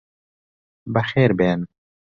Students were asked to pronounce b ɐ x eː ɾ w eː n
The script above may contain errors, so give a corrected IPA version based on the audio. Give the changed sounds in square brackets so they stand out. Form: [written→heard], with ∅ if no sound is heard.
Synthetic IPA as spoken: b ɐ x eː ɾ [w→b] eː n